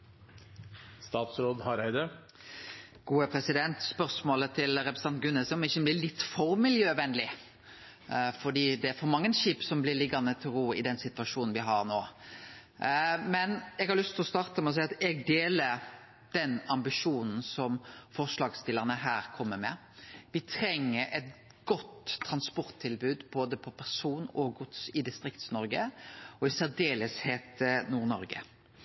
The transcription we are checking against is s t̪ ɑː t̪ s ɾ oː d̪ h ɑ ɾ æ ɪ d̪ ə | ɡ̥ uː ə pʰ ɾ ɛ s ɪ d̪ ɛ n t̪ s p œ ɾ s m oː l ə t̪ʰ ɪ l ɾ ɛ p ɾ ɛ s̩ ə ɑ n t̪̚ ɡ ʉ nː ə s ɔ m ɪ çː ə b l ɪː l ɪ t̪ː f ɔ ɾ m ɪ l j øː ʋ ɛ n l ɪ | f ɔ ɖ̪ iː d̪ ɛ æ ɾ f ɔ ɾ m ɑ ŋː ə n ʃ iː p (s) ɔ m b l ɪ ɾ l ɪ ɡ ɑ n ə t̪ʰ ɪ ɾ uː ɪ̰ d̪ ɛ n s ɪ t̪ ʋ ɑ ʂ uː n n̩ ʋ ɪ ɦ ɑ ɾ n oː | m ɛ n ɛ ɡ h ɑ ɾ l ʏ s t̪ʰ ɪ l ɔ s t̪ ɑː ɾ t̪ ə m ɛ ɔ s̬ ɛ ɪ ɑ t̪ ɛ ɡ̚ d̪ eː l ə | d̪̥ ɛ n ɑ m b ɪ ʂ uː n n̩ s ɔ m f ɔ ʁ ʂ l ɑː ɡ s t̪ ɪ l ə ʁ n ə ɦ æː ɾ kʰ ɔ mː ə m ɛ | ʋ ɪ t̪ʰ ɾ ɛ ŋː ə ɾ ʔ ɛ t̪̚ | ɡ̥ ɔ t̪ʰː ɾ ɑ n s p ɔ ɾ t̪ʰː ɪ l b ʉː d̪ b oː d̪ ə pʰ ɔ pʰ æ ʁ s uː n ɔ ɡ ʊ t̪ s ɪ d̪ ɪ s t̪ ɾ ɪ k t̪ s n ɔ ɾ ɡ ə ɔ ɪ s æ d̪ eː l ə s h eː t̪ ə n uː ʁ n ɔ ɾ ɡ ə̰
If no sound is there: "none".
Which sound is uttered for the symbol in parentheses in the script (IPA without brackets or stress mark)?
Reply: s